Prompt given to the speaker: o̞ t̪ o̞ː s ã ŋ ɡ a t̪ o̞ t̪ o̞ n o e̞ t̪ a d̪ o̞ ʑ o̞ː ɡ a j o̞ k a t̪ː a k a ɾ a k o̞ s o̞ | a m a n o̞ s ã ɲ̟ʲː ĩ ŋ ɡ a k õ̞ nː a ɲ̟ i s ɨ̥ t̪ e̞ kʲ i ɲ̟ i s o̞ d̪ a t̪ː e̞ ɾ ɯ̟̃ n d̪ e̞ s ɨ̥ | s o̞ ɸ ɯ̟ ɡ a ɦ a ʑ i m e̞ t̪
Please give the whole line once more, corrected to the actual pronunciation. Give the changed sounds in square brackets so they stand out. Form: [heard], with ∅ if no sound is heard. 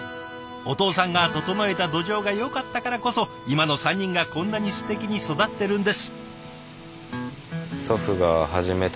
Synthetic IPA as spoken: o̞ t̪ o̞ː s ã ŋ ɡ a t̪ o̞ t̪ o̞ n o e̞ t̪ a d̪ o̞ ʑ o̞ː ɡ a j o̞ k a t̪ː a k a ɾ a k o̞ s o̞ | [i] m a n o̞ s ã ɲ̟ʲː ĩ ŋ ɡ a k õ̞ nː a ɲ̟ i s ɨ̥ t̪ e̞ kʲ i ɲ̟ i s o̞ d̪ a t̪ː e̞ ɾ ɯ̟̃ n d̪ e̞ s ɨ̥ | s o̞ ɸ ɯ̟ ɡ a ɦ a ʑ i m e̞ t̪

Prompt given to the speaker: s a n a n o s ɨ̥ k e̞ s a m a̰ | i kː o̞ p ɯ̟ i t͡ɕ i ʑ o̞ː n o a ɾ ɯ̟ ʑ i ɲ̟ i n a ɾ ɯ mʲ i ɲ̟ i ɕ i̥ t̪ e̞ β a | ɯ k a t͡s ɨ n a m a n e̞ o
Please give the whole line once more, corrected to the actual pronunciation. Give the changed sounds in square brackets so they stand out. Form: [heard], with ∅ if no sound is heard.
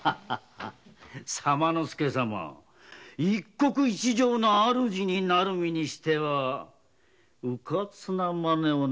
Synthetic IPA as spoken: s a [m] a n o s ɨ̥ k e̞ s a m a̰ | i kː o̞ [k] ɯ̟ i t͡ɕ i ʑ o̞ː n o a ɾ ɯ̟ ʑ i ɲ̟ i n a ɾ ɯ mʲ i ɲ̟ i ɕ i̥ t̪ e̞ β a | ɯ k a t͡s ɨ n a m a n e̞ o

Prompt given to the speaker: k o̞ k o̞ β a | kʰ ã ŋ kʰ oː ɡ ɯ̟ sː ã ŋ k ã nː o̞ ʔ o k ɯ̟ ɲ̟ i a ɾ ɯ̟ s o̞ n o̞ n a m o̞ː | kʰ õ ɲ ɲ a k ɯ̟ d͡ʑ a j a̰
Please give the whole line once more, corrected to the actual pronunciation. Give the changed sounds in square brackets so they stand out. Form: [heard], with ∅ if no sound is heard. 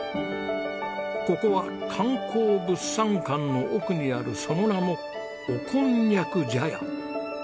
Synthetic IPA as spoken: k o̞ k o̞ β a | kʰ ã ŋ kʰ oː [b] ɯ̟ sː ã ŋ k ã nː o̞ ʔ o k ɯ̟ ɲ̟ i a ɾ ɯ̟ s o̞ n o̞ n a m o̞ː | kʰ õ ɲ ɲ a k ɯ̟ d͡ʑ a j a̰

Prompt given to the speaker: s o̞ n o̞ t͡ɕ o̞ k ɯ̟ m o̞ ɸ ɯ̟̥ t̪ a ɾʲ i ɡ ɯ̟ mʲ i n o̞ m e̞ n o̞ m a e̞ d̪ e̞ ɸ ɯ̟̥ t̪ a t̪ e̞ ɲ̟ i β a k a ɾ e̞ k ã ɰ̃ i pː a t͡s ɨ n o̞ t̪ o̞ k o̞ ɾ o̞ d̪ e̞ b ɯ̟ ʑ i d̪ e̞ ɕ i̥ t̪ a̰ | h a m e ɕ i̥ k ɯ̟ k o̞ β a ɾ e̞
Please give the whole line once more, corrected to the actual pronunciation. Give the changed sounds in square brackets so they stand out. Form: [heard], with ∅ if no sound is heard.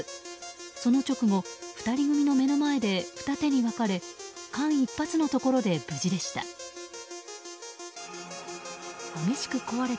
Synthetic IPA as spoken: s o̞ n o̞ t͡ɕ o̞ k ɯ̟ m o̞ ɸ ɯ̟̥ t̪ a ɾʲ i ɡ ɯ̟ mʲ i n o̞ m e̞ n o̞ m a e̞ d̪ e̞ ɸ ɯ̟̥ t̪ a t̪ e̞ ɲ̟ i β a k a ɾ e̞ k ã ɰ̃ i pː a t͡s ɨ n o̞ t̪ o̞ k o̞ ɾ o̞ d̪ e̞ b ɯ̟ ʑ i d̪ e̞ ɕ i̥ t̪ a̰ | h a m e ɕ i̥ k ɯ̟ k o̞ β a ɾ e̞

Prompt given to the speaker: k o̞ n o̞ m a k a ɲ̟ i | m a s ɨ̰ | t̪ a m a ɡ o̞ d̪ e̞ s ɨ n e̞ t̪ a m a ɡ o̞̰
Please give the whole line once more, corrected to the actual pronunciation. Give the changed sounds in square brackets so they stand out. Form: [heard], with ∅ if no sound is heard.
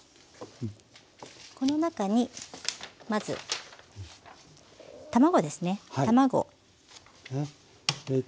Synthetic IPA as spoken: k o̞ n o̞ [n] a k a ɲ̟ i | m a [z] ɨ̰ | t̪ a m a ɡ o̞ d̪ e̞ s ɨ n e̞ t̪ a m a ɡ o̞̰

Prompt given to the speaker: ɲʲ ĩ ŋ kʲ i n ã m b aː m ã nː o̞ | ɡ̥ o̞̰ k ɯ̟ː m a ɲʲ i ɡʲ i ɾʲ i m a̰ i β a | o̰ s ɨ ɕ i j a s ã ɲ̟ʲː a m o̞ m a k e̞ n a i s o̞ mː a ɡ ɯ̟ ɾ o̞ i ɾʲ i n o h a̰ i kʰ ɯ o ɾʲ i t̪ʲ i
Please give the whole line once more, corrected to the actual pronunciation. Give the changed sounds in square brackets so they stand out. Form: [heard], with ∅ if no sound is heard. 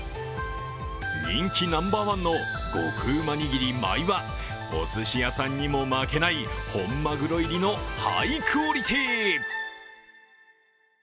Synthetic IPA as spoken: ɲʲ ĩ ŋ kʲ i n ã m b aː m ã nː o̞ | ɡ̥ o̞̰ k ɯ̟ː m a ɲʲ i ɡʲ i ɾʲ i m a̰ i β a | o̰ s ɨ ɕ i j a s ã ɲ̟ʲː [i] m o̞ m a k e̞ n a i [h] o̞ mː a ɡ ɯ̟ ɾ o̞ i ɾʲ i n o h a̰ i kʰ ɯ o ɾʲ i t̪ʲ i

